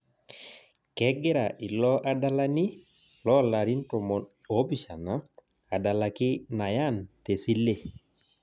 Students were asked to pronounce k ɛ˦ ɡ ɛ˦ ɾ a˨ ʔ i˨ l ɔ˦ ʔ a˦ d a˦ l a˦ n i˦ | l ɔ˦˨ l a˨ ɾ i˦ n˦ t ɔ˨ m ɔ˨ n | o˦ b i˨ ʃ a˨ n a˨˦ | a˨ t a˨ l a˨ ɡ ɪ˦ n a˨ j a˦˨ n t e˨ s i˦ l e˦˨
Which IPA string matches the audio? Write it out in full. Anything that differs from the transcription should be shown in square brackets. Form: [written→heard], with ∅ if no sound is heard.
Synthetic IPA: k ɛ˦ ɡ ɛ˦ ɾ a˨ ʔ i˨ l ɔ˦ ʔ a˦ d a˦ l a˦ n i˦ | l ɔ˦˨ l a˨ ɾ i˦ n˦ t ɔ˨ m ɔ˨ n | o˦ b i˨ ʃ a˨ n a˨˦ | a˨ [t→d] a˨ l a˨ [ɡ→k] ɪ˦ n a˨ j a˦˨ n t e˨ s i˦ l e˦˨